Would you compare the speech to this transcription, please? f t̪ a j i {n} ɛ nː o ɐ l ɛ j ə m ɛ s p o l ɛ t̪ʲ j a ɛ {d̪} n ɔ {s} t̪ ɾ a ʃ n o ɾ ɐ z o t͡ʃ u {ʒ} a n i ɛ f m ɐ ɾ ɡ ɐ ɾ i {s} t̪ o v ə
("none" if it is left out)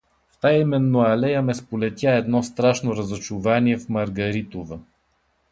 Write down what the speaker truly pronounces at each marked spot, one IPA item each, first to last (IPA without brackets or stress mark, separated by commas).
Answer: m, d̪, s, v, none